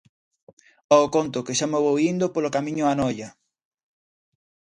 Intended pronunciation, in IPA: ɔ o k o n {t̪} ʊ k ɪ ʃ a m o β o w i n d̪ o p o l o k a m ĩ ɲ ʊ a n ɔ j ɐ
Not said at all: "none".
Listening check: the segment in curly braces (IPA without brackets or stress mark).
t̪